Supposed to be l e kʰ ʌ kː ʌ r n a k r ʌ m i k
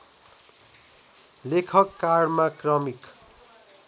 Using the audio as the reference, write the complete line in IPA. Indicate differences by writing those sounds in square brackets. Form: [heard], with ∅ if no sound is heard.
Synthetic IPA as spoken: l e kʰ ʌ kː [a] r [m] a k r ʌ m i k

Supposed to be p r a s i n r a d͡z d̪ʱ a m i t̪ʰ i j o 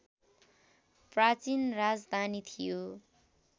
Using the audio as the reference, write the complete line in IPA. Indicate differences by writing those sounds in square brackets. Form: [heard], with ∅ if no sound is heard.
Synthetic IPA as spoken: p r a [t͡s] i n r a d͡z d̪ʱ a [n] i t̪ʰ i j o

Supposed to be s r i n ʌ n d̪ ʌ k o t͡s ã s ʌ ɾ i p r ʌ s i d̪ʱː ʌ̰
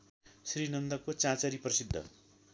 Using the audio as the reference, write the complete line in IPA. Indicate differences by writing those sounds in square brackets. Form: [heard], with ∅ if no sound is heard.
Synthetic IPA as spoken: s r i n ʌ n d̪ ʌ k o t͡s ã [t͡s] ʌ ɾ i p r ʌ s i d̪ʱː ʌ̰

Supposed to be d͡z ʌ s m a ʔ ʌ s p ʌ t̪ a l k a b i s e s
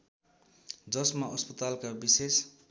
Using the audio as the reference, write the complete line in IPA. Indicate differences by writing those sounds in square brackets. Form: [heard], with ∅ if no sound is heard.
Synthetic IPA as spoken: d͡z ʌ s m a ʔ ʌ s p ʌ t̪ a l k a b i s e s

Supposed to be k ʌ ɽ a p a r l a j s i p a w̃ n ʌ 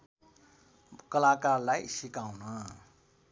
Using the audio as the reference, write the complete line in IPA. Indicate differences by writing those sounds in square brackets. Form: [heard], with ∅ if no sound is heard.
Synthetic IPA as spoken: k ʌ [l] a [k] a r l a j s i [k] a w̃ n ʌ

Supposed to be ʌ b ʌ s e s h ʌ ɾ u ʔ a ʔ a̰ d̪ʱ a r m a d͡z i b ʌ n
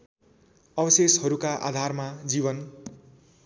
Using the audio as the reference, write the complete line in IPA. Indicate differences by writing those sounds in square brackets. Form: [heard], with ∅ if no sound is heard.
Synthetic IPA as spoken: ʌ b ʌ s e s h ʌ ɾ u [k] a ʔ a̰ d̪ʱ a r m a d͡z i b ʌ n

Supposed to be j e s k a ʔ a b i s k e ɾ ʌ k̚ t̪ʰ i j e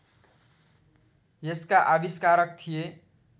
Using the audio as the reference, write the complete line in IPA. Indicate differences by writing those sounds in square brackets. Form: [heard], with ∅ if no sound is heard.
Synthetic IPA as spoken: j e s k a ʔ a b i s k [a] ɾ ʌ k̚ t̪ʰ i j e

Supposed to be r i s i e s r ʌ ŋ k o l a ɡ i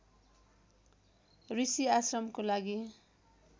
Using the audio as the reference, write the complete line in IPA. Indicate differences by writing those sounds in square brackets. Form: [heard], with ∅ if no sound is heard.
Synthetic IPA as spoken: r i s i [a] s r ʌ [m] k o l a ɡ i

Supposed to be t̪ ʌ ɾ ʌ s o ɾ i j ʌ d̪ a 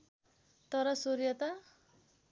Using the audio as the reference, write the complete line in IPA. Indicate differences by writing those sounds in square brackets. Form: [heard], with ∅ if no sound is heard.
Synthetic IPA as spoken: t̪ ʌ ɾ ʌ s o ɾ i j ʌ [t̪] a

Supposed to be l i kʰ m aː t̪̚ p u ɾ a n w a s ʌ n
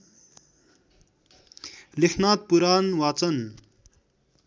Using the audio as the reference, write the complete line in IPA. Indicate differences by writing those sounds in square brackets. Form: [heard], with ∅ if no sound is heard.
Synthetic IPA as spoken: l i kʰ [n] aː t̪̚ p u ɾ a n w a [t͡s] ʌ n

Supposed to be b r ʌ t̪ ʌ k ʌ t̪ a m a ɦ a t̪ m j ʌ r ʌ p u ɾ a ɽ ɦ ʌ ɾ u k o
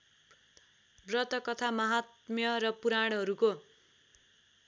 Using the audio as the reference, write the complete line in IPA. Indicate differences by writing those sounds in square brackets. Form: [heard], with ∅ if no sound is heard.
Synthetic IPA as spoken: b r ʌ t̪ ʌ k ʌ [t̪ʰ] a m [ʌ] ɦ a t̪ m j ʌ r ʌ p u ɾ a ɽ ɦ ʌ ɾ u k o

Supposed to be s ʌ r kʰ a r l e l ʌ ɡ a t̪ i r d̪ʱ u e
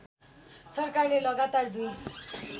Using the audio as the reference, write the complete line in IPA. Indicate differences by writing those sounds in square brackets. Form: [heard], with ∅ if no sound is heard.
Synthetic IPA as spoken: s ʌ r [k] a r l e l ʌ ɡ a t̪ [a] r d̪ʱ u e

